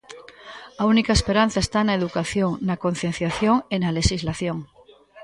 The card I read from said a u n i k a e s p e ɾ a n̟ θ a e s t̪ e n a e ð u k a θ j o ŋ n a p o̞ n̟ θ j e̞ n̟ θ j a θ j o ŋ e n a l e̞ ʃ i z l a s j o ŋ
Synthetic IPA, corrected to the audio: a u n i k a e s p e ɾ a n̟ θ a e s t̪ a n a e ð u k a θ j o ŋ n a k o̞ n̟ θ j e̞ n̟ θ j a θ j o ŋ e n a l e̞ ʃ i z l a θ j o ŋ